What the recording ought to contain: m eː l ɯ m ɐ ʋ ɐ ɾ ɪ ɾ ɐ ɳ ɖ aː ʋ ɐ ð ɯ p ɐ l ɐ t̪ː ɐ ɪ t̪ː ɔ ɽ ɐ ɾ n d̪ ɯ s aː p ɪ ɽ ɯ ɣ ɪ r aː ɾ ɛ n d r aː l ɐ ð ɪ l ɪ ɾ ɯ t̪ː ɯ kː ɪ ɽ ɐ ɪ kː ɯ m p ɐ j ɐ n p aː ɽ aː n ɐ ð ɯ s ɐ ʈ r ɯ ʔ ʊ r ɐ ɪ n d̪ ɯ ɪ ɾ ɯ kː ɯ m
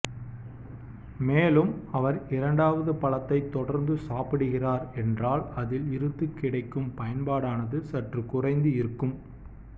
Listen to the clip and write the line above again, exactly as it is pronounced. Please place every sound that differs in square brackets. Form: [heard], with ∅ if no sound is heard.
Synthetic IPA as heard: m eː l ɯ m ɐ ʋ ɐ ɾ ɪ ɾ ɐ ɳ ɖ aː ʋ ɐ ð ɯ p ɐ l ɐ t̪ː ɐ ɪ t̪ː ɔ ɽ ɐ ɾ n d̪ ɯ s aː p ɪ ɽ ɯ ɣ ɪ r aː ɾ ɛ n d r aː l ɐ ð ɪ l ɪ ɾ ɯ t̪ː ɯ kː ɪ ɽ ɐ ɪ kː ɯ m p ɐ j ɐ n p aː ɽ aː n ɐ ð ɯ s ɐ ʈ r ɯ [k] ʊ r ɐ ɪ n d̪ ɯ ɪ ɾ ɯ kː ɯ m

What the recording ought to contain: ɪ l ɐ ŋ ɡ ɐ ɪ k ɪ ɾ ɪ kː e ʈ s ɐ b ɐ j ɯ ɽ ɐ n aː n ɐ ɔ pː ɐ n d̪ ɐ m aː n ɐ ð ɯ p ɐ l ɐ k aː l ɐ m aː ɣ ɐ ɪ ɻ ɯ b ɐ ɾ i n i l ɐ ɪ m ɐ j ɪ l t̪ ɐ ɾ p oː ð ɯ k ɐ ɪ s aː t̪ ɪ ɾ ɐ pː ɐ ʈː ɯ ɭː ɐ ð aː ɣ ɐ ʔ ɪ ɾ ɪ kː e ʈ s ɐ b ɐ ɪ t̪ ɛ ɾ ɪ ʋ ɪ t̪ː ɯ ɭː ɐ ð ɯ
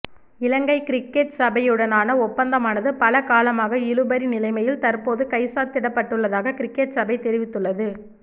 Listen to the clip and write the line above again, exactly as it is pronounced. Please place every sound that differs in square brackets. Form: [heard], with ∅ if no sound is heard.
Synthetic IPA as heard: ɪ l ɐ ŋ ɡ ɐ ɪ k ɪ ɾ ɪ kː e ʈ s ɐ b ɐ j ɯ ɽ ɐ n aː n ɐ ɔ pː ɐ n d̪ ɐ m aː n ɐ ð ɯ p ɐ l ɐ k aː l ɐ m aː ɣ ɐ ɪ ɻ ɯ b ɐ ɾ i n [ɪ] l ɐ ɪ m ɐ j ɪ l t̪ ɐ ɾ p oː ð ɯ k ɐ ɪ s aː t̪ ɪ [ɽ] ɐ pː ɐ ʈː ɯ ɭː ɐ ð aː ɣ ɐ [k] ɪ ɾ ɪ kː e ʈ s ɐ b ɐ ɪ t̪ ɛ ɾ ɪ ʋ ɪ t̪ː ɯ ɭː ɐ ð ɯ

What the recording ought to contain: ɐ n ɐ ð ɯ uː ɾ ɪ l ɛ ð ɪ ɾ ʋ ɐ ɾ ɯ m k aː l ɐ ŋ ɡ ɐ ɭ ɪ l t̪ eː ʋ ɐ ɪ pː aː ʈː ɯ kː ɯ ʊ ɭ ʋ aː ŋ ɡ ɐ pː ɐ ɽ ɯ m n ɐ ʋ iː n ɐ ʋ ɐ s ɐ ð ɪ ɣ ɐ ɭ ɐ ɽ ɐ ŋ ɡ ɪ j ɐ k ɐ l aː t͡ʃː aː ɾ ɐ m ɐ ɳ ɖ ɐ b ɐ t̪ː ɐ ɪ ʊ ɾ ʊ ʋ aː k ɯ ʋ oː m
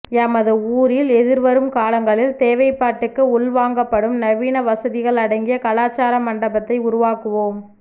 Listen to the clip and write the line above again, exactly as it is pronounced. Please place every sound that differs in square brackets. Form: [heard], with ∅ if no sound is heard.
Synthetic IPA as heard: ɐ [m] ɐ ð ɯ uː ɾ ɪ l ɛ ð ɪ ɾ ʋ ɐ ɾ ɯ m k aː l ɐ ŋ ɡ ɐ ɭ ɪ l t̪ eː ʋ ɐ ɪ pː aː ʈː ɯ kː ɯ ʊ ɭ ʋ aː ŋ ɡ ɐ pː ɐ ɽ ɯ m n ɐ ʋ iː n ɐ ʋ ɐ s ɐ ð ɪ ɣ ɐ ɭ ɐ ɽ ɐ ŋ ɡ ɪ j ɐ k ɐ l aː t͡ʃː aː ɾ ɐ m ɐ ɳ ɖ ɐ b ɐ t̪ː ɐ ɪ ʊ ɾ ʊ ʋ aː k ɯ ʋ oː m

